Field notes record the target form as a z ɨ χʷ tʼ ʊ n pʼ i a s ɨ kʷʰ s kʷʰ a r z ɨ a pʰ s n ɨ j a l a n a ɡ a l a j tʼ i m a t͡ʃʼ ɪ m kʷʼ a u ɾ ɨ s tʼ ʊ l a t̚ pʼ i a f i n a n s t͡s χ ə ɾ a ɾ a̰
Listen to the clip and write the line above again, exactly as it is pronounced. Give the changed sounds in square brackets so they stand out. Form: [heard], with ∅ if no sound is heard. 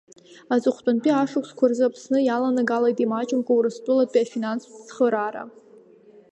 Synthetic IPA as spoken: a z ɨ χʷ tʼ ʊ n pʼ i a [ʂ] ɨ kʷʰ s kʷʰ a r z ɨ a pʰ s n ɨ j a l a n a ɡ a l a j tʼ i m a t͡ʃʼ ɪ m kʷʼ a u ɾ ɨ s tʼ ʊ l a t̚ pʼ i a f i n a n s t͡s χ ə ɾ a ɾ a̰